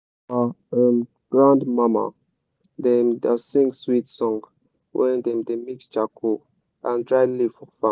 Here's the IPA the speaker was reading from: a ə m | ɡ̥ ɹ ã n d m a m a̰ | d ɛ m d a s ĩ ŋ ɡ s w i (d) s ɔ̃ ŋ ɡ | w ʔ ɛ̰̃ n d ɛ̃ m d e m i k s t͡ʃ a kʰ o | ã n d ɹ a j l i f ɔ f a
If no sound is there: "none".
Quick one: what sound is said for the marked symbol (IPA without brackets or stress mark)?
t